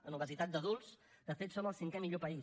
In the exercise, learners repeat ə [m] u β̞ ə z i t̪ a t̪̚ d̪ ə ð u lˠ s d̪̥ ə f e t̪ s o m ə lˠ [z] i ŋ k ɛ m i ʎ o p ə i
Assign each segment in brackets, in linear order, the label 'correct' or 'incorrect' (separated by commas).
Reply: incorrect, incorrect